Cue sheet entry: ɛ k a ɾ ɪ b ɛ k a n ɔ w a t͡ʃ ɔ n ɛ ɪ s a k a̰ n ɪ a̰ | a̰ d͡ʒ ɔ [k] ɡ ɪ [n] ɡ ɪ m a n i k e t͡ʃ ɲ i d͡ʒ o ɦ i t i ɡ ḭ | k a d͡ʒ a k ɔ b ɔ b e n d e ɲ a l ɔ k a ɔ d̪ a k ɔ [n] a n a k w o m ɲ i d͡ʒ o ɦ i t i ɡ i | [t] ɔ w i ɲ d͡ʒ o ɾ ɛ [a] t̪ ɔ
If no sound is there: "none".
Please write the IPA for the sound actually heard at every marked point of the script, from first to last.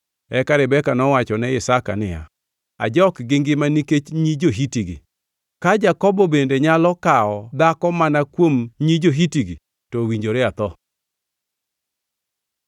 k, ŋ, m, t, a

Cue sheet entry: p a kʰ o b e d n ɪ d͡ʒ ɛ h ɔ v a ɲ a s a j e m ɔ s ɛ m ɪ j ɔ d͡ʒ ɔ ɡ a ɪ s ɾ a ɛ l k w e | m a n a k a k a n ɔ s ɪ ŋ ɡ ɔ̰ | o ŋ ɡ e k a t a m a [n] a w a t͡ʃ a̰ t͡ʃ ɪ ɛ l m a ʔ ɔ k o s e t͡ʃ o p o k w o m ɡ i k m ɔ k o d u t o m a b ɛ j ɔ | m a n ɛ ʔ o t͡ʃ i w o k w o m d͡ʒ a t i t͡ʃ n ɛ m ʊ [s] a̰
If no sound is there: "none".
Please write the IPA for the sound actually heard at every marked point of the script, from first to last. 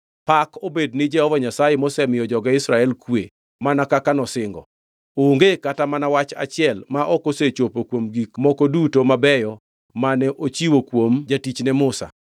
n, s

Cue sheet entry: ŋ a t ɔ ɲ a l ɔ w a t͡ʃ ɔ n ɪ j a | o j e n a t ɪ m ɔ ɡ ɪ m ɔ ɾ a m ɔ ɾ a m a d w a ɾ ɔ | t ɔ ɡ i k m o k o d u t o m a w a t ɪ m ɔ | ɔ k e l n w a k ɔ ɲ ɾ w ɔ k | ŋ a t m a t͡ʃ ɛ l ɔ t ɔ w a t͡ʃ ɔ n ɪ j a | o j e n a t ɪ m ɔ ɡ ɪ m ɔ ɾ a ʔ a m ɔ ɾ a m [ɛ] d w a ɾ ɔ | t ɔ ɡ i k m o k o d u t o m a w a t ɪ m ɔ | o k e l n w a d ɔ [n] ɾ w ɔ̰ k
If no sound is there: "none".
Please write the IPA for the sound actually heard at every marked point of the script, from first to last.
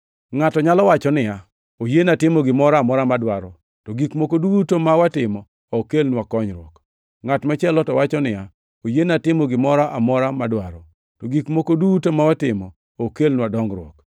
a, ŋ

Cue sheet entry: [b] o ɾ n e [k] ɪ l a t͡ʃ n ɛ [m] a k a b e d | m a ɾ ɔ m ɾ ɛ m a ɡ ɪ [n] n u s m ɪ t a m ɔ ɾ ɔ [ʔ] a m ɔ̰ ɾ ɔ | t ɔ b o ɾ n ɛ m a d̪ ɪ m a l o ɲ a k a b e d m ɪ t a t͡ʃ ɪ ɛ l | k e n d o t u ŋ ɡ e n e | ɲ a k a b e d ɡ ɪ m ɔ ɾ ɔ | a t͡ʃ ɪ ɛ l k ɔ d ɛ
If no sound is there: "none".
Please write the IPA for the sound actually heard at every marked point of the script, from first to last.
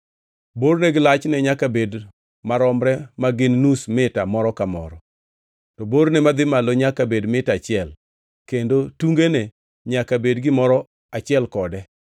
b, ɡ, ɲ, n, k

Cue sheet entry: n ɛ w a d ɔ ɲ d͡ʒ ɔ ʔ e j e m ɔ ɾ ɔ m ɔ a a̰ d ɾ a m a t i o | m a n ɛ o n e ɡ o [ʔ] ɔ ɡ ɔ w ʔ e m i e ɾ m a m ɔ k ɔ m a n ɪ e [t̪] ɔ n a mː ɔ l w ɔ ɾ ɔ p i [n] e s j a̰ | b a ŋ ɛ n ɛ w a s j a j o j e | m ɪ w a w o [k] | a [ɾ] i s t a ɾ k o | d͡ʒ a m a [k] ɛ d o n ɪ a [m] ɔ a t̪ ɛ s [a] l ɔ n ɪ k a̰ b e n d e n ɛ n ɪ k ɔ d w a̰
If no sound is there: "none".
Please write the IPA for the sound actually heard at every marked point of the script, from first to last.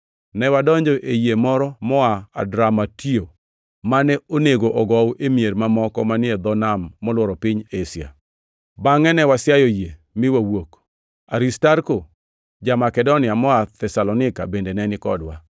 ʔ, d̪, ɲ, k, ɾ, k, m, a

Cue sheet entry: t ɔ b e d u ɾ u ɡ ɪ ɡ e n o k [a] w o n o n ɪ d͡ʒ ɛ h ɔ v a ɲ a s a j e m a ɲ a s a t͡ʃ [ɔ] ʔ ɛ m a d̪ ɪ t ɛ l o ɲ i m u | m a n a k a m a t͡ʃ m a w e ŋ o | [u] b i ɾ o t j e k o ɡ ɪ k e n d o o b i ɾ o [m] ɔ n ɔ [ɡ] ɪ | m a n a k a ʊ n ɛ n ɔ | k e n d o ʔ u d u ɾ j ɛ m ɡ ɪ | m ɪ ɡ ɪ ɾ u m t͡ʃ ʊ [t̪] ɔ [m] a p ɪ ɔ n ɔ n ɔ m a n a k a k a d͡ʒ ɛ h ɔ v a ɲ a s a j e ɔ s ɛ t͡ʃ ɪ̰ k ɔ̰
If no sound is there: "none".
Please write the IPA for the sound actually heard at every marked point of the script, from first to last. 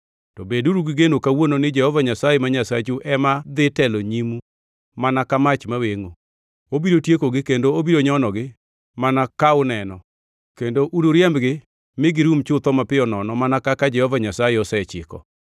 a, u, o, ɲ, ɡ, t̪, m

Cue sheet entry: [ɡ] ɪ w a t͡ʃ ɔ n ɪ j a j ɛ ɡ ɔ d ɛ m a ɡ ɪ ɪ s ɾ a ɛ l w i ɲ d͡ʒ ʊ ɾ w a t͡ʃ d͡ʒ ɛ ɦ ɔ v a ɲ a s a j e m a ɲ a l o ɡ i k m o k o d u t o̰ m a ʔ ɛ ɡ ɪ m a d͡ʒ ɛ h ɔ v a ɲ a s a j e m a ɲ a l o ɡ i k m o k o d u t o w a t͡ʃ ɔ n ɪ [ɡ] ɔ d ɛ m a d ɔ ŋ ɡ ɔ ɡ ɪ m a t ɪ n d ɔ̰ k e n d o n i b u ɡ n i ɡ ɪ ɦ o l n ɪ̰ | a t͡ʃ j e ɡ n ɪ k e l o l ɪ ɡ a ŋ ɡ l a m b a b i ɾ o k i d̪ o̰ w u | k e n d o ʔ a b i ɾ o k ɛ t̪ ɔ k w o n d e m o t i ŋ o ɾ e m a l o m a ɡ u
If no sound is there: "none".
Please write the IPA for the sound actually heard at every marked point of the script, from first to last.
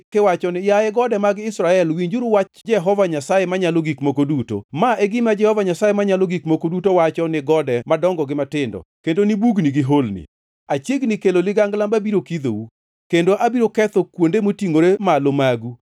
k, ɡ

